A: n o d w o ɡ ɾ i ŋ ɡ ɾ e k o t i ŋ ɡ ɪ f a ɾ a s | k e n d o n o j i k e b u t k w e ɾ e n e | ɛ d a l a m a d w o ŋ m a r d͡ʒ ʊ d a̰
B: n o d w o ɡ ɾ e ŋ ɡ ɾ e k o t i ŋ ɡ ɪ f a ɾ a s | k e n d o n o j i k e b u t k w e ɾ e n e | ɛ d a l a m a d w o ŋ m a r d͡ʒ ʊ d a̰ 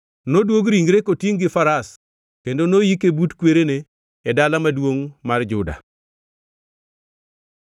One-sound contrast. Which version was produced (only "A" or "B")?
A